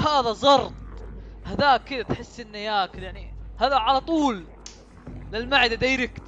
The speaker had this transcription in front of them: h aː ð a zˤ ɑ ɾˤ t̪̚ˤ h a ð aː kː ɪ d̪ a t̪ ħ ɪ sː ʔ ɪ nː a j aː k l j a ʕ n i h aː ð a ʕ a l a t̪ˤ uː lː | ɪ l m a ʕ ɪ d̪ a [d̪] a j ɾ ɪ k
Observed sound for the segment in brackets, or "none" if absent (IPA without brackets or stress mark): d̪